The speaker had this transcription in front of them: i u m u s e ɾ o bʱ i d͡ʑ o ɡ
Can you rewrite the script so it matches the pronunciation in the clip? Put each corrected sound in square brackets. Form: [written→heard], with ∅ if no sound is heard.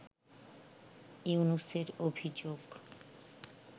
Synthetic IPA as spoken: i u [m→n] u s e ɾ o bʱ i d͡ʑ o ɡ